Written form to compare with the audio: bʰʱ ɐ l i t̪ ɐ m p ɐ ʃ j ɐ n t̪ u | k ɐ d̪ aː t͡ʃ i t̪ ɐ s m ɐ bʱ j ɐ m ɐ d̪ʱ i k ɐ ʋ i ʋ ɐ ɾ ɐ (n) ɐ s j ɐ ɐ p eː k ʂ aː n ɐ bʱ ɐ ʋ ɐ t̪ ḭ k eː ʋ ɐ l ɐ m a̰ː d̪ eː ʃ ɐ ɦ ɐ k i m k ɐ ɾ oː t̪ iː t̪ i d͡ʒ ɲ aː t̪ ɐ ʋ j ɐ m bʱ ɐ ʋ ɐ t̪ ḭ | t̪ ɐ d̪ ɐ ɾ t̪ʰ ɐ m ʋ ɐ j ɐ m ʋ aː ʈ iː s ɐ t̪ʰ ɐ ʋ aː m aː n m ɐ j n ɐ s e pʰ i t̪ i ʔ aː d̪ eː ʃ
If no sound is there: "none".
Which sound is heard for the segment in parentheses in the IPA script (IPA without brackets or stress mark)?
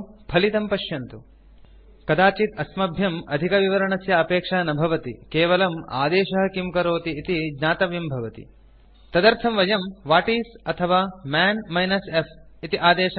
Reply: ɳ